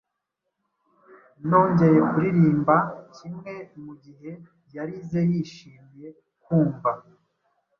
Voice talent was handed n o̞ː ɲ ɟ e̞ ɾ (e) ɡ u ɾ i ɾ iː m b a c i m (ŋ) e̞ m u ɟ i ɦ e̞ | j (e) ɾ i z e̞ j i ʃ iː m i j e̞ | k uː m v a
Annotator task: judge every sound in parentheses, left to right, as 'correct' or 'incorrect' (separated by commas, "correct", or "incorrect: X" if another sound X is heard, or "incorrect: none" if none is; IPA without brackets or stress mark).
correct, correct, incorrect: a